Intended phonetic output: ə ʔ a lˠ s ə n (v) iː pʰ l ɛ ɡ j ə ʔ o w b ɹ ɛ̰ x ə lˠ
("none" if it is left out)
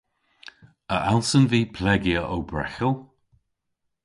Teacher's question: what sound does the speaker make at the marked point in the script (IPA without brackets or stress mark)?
v